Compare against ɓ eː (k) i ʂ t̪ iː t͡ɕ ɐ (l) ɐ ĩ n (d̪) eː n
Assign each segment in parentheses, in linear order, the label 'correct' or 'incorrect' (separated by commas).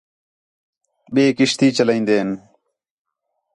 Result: correct, correct, correct